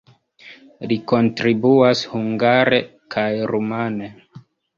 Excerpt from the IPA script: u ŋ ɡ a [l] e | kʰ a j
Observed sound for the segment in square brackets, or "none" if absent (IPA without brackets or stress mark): ɾ